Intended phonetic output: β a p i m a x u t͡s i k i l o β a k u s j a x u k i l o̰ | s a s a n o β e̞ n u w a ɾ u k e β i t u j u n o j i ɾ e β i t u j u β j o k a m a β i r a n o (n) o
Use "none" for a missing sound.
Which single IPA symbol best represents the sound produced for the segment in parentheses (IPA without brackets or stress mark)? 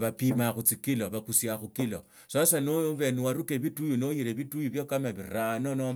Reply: n